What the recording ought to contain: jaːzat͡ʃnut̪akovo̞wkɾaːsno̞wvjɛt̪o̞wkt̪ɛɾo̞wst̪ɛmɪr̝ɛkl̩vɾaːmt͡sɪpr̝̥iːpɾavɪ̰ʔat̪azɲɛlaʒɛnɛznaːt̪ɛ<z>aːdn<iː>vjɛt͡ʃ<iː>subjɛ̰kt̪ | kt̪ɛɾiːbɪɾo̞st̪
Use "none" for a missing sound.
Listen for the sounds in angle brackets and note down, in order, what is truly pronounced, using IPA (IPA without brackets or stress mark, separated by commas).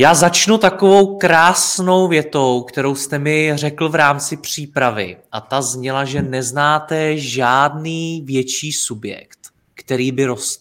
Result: ʒ, iː, iː